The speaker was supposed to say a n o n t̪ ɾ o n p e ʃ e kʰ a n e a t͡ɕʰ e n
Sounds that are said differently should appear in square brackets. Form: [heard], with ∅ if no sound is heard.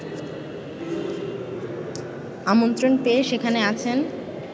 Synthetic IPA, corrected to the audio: a [m] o n t̪ ɾ o n p e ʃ e kʰ a n e a t͡ɕʰ e n